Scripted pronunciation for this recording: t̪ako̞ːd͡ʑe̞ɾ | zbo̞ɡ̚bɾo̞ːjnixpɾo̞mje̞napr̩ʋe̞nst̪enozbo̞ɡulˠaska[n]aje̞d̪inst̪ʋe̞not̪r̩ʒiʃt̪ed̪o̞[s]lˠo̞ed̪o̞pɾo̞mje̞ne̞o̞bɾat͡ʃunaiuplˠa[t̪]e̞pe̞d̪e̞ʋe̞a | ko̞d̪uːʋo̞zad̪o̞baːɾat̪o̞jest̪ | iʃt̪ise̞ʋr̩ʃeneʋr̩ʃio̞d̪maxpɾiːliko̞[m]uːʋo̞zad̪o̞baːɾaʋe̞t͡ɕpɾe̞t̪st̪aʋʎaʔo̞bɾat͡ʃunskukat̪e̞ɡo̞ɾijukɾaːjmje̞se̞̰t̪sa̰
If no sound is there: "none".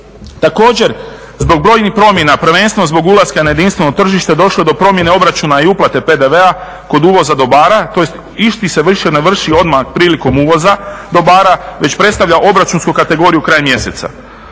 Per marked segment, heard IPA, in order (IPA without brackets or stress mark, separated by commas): n, ʃ, t̪, m